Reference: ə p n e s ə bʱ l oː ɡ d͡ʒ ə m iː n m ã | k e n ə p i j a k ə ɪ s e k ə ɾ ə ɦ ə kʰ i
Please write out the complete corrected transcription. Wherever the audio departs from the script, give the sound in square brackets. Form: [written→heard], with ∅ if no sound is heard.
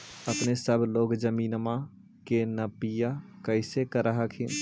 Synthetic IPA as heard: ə p n e s ə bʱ l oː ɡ d͡ʒ ə m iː n m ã | k e n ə p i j a k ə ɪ s e k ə ɾ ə ɦ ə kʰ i